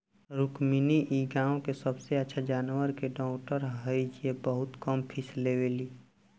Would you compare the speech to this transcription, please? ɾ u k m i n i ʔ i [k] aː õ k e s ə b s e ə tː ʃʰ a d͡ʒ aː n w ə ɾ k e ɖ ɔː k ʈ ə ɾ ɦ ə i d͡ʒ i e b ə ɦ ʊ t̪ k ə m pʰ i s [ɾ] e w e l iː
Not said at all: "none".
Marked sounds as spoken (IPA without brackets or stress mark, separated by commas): ɡ, l